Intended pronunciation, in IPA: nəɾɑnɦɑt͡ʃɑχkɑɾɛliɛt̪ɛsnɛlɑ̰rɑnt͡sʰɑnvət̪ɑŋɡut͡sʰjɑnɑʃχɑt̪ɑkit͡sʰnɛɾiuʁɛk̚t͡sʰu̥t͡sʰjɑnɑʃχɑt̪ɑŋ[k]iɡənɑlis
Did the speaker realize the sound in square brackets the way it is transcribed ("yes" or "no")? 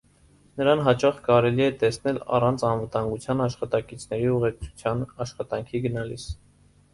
no